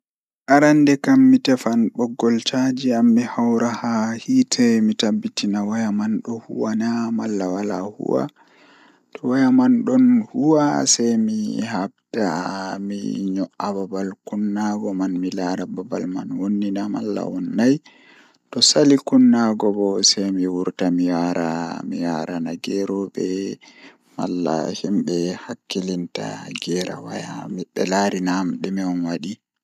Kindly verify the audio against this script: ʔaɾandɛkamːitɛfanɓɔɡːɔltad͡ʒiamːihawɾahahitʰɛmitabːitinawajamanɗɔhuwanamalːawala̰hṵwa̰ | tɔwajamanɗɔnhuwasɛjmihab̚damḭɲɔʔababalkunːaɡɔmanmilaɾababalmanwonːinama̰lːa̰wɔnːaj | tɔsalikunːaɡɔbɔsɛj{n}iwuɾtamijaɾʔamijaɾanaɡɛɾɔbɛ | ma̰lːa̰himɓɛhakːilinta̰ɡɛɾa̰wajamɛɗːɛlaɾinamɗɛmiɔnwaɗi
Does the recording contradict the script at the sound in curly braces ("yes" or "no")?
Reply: yes